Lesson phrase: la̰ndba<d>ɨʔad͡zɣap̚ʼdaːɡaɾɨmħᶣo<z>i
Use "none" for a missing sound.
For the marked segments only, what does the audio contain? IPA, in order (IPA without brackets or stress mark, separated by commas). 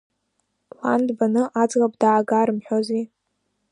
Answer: n, z